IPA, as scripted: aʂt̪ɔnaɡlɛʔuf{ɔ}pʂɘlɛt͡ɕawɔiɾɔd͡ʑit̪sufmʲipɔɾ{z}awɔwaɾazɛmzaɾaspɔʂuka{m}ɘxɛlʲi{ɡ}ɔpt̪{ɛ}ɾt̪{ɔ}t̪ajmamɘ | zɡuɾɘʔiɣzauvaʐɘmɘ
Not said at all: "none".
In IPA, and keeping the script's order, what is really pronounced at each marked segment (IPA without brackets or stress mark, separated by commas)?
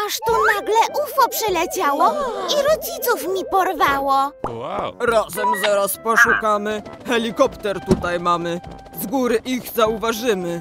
ɔ, v, m, k, ɛ, u